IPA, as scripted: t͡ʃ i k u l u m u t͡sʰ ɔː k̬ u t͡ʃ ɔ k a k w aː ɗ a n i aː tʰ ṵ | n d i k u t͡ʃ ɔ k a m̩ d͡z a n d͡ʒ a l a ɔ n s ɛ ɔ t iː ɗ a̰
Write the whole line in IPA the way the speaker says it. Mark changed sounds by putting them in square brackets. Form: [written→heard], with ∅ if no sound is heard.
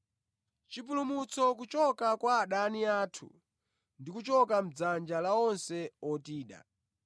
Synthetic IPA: t͡ʃ i [k→p] u l u m u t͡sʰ [ɔː→ɔ] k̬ u t͡ʃ ɔ k a k w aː ɗ a n i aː tʰ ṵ | n d i k u t͡ʃ ɔ k a m̩ d͡z a n d͡ʒ a l a ɔ n s ɛ ɔ t iː ɗ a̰